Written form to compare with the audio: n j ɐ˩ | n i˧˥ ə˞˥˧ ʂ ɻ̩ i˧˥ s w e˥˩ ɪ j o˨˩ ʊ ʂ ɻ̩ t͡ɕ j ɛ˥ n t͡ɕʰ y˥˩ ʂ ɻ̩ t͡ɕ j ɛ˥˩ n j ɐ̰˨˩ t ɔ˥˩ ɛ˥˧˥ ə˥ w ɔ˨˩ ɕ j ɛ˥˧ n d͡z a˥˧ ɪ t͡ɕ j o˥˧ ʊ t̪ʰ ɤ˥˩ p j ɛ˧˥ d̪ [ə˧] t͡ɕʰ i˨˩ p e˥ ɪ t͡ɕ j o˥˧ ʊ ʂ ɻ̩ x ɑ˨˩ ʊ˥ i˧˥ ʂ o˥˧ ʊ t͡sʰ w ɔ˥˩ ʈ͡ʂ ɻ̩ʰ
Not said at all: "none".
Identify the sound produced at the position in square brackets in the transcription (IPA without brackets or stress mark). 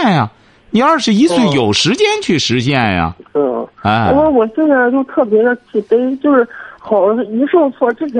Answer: ə˧